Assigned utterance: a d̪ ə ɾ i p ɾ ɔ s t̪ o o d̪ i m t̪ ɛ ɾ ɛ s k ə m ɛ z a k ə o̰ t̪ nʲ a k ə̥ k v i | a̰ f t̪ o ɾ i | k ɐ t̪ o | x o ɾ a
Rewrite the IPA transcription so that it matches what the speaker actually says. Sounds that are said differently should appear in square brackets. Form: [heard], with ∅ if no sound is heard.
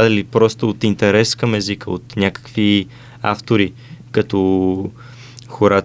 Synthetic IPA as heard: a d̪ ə [l] i p ɾ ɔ s t̪ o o [t̪] i [n] t̪ ɛ ɾ ɛ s k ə m ɛ z [i] k ə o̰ t̪ nʲ a k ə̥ k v i | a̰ f t̪ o ɾ i | k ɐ t̪ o | x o ɾ a